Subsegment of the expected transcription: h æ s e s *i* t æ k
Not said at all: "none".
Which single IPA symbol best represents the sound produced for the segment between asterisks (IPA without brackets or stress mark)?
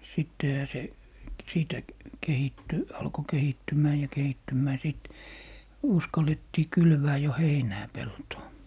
iː